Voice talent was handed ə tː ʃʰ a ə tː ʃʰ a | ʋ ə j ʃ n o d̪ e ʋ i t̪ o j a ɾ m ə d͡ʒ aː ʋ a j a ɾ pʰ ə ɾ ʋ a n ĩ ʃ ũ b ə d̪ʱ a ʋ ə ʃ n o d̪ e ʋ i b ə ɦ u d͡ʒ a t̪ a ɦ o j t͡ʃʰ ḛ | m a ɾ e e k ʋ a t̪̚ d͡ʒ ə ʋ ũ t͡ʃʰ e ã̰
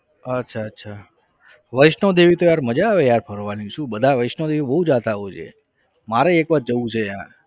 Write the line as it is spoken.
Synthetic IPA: ə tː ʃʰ a ə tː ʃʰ a | ʋ ə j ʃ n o d̪ e ʋ i t̪ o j a ɾ m ə d͡ʒ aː ʋ e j a ɾ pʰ ə ɾ ʋ a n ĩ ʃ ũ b ə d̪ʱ a ʋ ə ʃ n o d̪ e ʋ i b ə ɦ u d͡ʒ a t̪ a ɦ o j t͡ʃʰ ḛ | m a ɾ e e k ʋ a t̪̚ d͡ʒ ə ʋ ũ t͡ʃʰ e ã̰